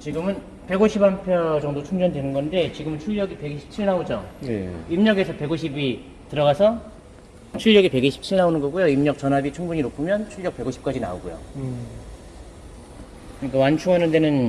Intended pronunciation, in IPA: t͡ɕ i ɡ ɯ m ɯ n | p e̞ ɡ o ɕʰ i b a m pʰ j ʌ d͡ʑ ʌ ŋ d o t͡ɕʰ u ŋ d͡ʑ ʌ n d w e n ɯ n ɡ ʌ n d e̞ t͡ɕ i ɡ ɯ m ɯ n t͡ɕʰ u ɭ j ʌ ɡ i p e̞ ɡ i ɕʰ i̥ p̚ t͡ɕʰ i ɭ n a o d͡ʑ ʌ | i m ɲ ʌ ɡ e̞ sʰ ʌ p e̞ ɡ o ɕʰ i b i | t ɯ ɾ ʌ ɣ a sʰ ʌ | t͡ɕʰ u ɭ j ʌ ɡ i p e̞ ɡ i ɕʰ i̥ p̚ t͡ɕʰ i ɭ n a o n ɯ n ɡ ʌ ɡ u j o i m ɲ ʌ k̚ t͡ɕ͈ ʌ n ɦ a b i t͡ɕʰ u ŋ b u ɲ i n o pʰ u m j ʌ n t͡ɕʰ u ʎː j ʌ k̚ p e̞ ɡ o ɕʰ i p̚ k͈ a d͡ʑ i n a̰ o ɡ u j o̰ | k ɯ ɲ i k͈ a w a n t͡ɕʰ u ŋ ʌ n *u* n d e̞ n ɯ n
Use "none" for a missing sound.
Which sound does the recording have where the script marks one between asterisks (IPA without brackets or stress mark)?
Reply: ɯ